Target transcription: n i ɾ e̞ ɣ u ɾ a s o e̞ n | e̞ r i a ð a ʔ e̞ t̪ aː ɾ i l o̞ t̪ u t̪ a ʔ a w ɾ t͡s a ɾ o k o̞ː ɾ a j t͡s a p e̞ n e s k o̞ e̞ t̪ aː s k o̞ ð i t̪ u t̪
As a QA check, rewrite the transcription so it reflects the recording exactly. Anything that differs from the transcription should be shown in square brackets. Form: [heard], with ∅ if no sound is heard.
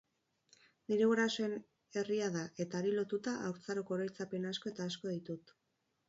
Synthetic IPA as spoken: n i ɾ e̞ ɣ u ɾ a s o e̞ n | e̞ r i a ð a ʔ e̞ t̪ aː ɾ i l o̞ t̪ u t̪ a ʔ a w ɾ t͡s a ɾ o k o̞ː ɾ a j t͡s a p e̞ n [a] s k o̞ e̞ t̪ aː s k o̞ ð i t̪ u t̪